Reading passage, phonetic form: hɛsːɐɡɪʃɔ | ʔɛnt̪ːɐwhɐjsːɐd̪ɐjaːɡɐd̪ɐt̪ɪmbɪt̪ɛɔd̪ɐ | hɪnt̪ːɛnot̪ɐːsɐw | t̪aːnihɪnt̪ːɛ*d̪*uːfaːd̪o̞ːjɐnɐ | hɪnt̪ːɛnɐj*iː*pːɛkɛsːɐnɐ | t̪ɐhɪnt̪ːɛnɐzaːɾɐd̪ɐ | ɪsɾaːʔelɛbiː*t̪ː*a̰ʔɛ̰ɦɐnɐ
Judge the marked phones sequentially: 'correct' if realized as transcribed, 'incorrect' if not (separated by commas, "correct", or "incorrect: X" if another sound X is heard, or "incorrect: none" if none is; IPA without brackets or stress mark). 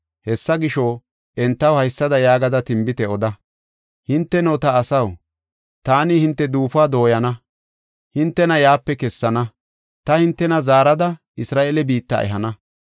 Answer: correct, incorrect: aː, correct